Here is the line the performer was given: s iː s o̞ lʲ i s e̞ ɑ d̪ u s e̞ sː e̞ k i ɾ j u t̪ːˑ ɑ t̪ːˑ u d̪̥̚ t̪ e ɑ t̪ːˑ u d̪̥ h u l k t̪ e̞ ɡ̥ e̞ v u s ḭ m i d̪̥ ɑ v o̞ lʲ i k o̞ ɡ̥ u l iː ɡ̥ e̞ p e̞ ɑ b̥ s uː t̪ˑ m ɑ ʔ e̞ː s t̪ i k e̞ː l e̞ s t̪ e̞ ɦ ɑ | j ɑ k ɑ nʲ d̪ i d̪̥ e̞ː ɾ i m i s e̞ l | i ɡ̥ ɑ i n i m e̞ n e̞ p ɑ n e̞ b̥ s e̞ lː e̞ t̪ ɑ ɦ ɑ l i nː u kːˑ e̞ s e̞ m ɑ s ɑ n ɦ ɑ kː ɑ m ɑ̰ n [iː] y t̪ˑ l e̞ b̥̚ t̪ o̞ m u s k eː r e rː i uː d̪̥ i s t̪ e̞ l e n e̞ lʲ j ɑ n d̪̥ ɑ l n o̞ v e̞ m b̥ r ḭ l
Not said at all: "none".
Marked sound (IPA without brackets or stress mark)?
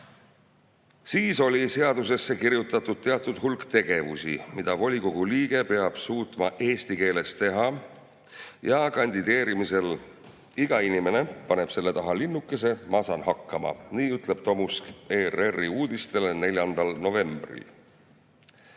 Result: iː